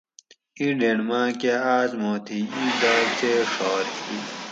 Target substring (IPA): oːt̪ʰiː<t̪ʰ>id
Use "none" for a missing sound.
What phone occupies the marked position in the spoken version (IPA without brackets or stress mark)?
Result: none